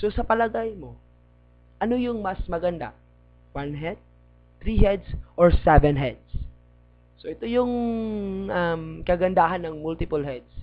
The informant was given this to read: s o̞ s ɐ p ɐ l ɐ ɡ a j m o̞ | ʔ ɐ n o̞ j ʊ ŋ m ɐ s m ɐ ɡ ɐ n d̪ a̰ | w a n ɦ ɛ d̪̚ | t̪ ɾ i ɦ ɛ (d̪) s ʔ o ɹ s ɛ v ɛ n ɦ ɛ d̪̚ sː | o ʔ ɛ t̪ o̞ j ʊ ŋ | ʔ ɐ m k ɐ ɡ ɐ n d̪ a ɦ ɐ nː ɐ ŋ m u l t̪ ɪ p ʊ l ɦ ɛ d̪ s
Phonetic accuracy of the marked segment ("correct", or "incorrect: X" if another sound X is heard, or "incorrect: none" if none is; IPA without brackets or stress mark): correct